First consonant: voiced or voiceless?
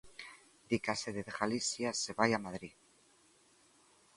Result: voiced